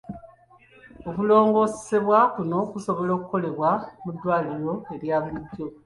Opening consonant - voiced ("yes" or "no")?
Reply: no